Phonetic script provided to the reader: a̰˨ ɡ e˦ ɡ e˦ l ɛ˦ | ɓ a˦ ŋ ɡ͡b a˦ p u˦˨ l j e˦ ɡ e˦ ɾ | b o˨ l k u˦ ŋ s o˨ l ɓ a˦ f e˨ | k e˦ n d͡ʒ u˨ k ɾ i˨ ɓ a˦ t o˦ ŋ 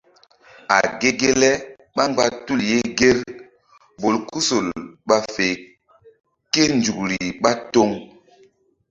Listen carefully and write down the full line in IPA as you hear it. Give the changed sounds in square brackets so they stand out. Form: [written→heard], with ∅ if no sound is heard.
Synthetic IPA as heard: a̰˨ ɡ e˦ ɡ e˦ l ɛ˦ | ɓ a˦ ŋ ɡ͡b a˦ [p→t] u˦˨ l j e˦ ɡ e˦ ɾ | b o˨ l k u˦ [ŋ→∅] s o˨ l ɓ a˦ f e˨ | k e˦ n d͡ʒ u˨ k ɾ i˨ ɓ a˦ t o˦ ŋ

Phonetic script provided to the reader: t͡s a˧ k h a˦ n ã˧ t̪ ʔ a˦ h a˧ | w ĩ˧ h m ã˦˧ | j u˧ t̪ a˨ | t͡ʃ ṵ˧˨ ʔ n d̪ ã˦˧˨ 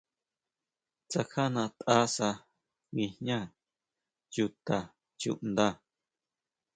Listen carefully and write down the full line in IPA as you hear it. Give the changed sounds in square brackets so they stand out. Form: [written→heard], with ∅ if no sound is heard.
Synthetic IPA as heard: t͡s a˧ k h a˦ n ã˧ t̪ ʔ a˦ [h→s] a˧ | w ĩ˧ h [m→ɲ] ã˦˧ | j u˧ t̪ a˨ | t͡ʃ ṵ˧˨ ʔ n d̪ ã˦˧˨

